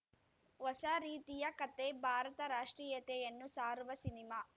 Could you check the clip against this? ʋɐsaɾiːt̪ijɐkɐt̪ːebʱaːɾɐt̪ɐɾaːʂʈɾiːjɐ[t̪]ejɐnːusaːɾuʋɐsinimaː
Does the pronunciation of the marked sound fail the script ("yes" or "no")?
no